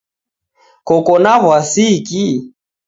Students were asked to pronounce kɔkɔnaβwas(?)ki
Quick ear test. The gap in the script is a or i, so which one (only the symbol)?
i